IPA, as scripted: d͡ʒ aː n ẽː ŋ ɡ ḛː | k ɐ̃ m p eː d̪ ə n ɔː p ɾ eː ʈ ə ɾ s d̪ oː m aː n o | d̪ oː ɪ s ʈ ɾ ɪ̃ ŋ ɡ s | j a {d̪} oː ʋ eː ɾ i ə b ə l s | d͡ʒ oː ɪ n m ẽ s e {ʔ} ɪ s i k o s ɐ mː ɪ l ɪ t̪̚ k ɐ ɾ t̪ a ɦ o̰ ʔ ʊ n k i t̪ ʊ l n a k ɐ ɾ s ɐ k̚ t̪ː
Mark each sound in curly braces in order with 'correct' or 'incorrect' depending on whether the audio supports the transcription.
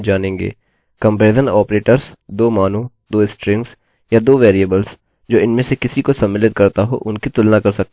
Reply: correct, incorrect

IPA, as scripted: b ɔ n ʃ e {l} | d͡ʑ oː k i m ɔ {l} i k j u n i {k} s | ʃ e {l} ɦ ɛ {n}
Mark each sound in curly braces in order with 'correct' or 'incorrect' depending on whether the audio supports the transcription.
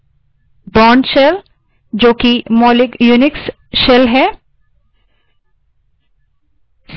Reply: correct, correct, correct, correct, incorrect

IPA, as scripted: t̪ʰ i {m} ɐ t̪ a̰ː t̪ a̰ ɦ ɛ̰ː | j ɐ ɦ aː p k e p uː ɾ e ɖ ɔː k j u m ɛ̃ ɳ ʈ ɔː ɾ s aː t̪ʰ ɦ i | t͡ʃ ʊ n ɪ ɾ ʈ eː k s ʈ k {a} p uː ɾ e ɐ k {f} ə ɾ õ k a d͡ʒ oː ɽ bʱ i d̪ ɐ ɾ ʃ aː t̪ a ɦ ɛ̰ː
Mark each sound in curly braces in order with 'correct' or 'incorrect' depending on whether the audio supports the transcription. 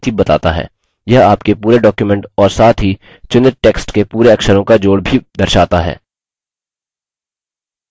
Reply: incorrect, incorrect, incorrect

